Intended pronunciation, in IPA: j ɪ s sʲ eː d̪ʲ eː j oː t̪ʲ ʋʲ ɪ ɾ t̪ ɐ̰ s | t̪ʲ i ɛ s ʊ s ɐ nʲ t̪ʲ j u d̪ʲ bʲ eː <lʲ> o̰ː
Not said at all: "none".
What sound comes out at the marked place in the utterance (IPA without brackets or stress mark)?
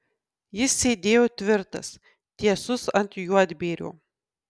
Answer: ɾʲ